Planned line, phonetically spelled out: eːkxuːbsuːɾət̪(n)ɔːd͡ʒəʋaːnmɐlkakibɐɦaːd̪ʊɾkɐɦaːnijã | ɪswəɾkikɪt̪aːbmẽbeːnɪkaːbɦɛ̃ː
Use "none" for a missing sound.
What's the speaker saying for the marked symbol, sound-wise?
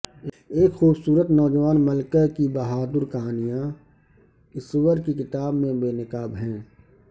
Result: n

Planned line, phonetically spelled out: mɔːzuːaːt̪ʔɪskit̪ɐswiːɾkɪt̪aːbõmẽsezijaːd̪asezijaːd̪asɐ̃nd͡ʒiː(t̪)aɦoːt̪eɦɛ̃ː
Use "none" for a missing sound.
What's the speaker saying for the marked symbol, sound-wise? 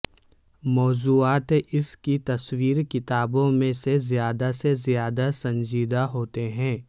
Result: d̪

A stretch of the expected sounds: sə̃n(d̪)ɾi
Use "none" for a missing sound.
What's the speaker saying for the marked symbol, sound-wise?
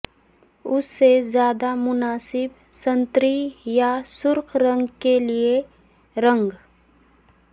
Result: t̪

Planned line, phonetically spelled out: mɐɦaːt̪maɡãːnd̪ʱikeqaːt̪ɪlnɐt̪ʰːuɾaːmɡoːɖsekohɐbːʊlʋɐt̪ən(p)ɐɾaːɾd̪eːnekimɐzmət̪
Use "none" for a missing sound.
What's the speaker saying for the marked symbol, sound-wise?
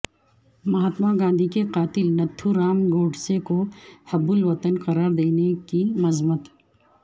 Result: q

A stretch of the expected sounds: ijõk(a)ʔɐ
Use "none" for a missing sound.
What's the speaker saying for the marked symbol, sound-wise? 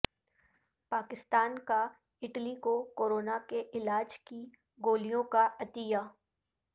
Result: a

